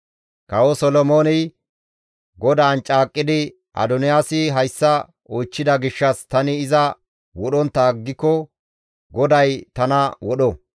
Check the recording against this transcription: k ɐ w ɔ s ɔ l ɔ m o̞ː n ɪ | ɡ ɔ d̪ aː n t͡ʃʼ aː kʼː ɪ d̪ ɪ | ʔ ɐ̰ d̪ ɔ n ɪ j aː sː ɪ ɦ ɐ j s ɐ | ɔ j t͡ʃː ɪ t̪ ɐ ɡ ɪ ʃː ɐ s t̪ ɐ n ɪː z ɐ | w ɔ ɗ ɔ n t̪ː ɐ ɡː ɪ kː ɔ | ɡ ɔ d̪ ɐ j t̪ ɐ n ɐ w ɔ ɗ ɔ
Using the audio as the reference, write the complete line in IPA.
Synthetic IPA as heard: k ɐ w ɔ s ɔ l ɔ m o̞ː n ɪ | ɡ ɔ d̪ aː n t͡ʃʼ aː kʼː ɪ d̪ ɪ | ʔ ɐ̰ d̪ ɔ n ɪ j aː s ɪ ɦ ɐ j sː ɐ | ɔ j t͡ʃː ɪ d̪ ɐ ɡ ɪ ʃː ɐ s t̪ ɐ n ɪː z ɐ | w ɔ ɗ ɔ n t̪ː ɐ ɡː ɪ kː ɔ | ɡ ɔ d̪ ɐ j t̪ ɐ n ɐ w ɔ ɗ ɔ